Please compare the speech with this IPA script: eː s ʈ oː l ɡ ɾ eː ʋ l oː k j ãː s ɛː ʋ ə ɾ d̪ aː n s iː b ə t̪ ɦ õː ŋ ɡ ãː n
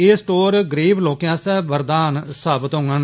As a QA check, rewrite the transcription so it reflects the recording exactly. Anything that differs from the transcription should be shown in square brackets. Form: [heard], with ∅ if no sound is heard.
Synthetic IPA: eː s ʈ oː [ɾ] ɡ ɾ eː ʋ l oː k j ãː s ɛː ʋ ə ɾ d̪ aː n s [aː] b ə t̪ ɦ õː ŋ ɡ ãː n